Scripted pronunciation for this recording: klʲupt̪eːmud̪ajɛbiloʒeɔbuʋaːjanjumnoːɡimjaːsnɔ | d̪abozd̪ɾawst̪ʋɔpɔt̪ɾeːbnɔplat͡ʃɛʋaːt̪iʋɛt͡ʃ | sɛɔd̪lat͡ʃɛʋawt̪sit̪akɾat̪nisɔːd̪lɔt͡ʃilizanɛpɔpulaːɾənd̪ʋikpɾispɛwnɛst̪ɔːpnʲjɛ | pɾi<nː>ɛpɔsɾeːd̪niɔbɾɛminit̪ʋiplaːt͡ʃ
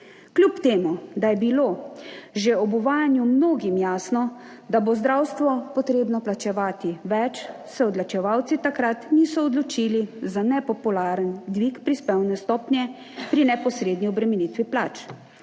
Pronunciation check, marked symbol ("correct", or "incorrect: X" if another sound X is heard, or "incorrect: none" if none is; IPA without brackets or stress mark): incorrect: n